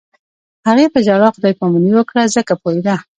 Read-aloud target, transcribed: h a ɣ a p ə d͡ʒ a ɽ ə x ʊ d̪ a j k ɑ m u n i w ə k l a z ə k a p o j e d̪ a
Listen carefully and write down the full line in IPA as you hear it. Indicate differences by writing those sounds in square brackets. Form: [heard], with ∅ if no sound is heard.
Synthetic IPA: h a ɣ [e] p ə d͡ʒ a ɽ [ɑ] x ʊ d̪ [ɑ] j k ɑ m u n i w ə k [ɽ] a z ə k a p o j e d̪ a